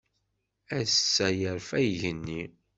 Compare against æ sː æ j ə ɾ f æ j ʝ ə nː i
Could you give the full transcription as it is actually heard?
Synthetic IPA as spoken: æ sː æ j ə ɾ f æ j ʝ ə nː i